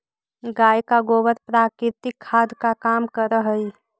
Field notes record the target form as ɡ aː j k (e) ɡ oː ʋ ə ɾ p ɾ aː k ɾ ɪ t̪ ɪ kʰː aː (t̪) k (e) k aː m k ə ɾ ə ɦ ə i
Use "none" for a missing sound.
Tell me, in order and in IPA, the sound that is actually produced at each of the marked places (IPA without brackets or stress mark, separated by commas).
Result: a, d̪, a